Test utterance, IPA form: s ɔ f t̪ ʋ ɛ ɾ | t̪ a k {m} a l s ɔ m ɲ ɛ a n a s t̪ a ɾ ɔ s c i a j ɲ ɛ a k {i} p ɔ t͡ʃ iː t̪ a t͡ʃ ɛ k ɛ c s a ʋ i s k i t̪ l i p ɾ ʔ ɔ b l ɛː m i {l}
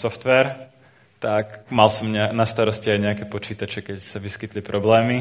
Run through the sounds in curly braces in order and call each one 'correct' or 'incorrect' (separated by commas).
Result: correct, incorrect, incorrect